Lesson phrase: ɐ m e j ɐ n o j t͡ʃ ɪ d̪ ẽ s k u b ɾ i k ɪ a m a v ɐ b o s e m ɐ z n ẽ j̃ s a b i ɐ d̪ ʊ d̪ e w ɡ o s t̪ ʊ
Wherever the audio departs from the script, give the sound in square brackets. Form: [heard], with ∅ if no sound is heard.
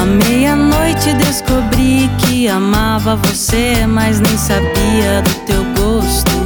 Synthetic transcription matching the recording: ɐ m e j ɐ n o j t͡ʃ ɪ d̪ [e] s k [o] b ɾ i k ɪ a m a v ɐ [v] o s e m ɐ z n ẽ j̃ s a b i ɐ d̪ ʊ [t̪] e w ɡ o s t̪ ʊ